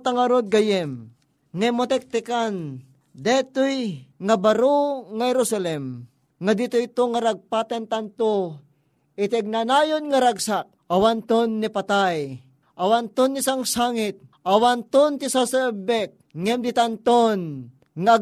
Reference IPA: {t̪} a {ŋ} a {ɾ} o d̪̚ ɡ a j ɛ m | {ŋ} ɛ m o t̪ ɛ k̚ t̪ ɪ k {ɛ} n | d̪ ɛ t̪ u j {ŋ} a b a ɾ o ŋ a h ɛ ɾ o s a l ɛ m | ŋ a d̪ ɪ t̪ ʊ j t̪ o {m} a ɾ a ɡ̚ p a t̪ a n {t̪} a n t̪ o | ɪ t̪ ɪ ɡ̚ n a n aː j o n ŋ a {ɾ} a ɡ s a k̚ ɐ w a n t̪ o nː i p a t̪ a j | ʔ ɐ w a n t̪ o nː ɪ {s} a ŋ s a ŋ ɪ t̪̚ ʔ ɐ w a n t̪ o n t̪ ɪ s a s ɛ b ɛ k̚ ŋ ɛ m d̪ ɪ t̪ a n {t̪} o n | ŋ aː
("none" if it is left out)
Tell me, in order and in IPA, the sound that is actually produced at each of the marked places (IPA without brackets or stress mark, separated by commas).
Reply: t̪, ŋ, ɾ, ŋ, a, ŋ, ŋ, t̪, ɾ, s, t̪